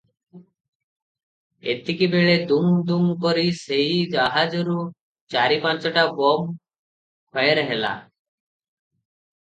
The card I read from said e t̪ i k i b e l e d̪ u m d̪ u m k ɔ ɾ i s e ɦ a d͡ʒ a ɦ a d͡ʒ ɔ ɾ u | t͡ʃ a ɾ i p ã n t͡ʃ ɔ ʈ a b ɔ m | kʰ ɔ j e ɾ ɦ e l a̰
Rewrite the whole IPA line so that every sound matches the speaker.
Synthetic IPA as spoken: e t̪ i k i b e ɭ e d̪ u m d̪ u m k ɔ ɾ i s e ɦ i d͡ʒ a ɦ a d͡ʒ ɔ ɾ u | t͡ʃ a ɾ i p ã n t͡ʃ ɔ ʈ a b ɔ m | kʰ ɔ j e ɾ ɦ e l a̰

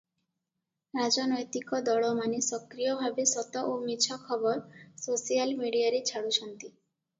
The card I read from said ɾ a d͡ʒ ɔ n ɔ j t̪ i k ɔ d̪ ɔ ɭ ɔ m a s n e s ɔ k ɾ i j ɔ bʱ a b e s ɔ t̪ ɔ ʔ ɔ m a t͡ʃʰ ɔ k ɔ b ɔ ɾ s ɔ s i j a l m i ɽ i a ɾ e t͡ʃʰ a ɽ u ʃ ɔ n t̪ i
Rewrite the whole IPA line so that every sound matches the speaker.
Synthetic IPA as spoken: ɾ a d͡ʒ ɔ n ɔ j t̪ i k ɔ d̪ ɔ ɭ ɔ m a n e s ɔ k ɾ i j ɔ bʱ a b e s ɔ t̪ ɔ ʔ o m i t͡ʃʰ ɔ kʰ ɔ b ɔ ɾ s o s i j a l m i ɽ i a ɾ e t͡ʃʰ a ɽ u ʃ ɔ n t̪ i

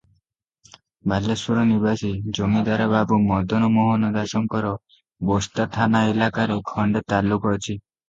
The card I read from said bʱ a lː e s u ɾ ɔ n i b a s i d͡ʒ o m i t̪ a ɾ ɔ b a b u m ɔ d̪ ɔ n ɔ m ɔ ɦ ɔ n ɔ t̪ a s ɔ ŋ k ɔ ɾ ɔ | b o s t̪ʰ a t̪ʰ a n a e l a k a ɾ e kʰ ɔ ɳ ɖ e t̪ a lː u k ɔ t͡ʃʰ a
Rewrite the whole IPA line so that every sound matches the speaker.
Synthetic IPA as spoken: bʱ a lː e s u ɾ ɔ n i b a s i d͡ʒ o m i d̪ a ɾ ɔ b a b u m ɔ d̪ ɔ n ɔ m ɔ ɦ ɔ n ɔ d̪ a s ɔ ŋ k ɔ ɾ ɔ | b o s t̪ a t̪ʰ a n a e l a k a ɾ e kʰ ɔ ɳ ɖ e t̪ a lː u k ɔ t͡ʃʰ i

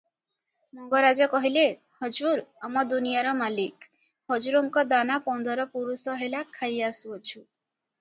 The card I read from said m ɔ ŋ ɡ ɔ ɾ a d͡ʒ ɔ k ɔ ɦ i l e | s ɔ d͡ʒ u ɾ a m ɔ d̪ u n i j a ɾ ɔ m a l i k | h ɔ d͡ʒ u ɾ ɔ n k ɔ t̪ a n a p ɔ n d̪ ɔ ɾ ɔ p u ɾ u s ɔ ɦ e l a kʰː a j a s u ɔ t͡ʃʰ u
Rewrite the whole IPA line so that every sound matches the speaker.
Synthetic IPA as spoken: m ɔ ŋ ɡ ɔ ɾ a d͡ʒ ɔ k ɔ ɦ i l e | h ɔ d͡ʒ u ɾ a m ɔ d̪ u n i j a ɾ ɔ m a l i k | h ɔ d͡ʒ u ɾ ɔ ŋ k ɔ d̪ a n a p ɔ n d̪ ɔ ɾ ɔ p u ɾ u s ɔ ɦ e l a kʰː a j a s u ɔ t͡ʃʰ u

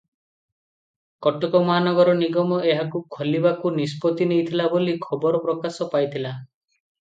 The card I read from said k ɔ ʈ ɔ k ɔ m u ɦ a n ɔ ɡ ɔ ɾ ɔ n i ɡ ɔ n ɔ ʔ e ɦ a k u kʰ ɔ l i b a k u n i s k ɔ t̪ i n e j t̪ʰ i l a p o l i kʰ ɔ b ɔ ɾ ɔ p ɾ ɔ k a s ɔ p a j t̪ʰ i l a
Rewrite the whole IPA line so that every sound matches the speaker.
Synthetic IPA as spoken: k ɔ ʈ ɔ k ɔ m ɔ ɦ a n ɔ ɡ ɔ ɾ ɔ n i ɡ ɔ m ɔ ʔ e ɦ a k u kʰ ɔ l i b a k u n i s p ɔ t̪ i n e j t̪ʰ i l a b o l i kʰ ɔ b ɔ ɾ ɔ p ɾ ɔ k a s ɔ p a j t̪ʰ i l a

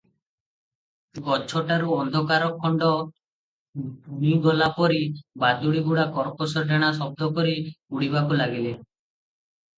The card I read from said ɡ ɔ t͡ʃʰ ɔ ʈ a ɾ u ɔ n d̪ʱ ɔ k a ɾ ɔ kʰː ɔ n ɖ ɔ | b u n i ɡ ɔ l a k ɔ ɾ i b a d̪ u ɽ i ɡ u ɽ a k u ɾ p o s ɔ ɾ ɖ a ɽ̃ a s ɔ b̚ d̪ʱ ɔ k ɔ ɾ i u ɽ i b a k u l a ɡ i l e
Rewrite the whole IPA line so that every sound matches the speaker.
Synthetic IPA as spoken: ɡ ɔ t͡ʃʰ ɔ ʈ a ɾ u ɔ n d̪ʱ ɔ k a ɾ ɔ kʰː ɔ ɳ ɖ ɔ | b u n i ɡ ɔ l a p ɔ ɾ i b a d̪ u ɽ i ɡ u ɽ a k ɔ ɾ p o s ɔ ɾ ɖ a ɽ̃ a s ɔ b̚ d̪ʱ ɔ k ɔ ɾ i u ɽ i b a k u l a ɡ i l e

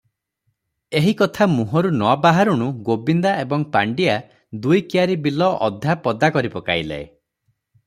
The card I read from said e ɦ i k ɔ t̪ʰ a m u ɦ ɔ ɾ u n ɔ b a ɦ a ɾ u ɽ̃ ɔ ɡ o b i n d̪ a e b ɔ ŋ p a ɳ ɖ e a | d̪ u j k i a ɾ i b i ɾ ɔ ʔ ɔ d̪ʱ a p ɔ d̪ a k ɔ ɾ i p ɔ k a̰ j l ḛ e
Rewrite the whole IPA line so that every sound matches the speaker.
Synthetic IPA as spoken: e ɦ i k ɔ t̪ʰ a m u ɦ ɔ ɾ u n ɔ b a ɦ a ɾ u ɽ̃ u ɡ o b i n d̪ a e b ɔ ŋ p a ɳ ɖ i a | d̪ u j k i a ɾ i b i l ɔ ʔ ɔ d̪ʱ a p ɔ d̪ a k ɔ ɾ i p ɔ k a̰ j l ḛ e

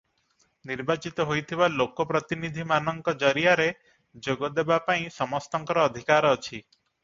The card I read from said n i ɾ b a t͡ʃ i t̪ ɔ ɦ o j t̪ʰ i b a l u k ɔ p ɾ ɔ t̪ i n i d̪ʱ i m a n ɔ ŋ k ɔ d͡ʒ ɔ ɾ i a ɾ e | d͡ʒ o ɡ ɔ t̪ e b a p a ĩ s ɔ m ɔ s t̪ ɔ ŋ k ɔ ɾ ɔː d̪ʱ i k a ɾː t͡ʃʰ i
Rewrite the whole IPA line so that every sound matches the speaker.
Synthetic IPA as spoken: n i ɾ b a t͡ʃ i t̪ ɔ ɦ o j t̪ʰ i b a l o k ɔ p ɾ ɔ t̪ i n i d̪ʱ i m a n ɔ ŋ k ɔ d͡ʒ ɔ ɾ i a ɾ e | d͡ʒ o ɡ ɔ d̪ e b a p a ĩ s ɔ m ɔ s t̪ ɔ ŋ k ɔ ɾ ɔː d̪ʱ i k a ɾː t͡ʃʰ i

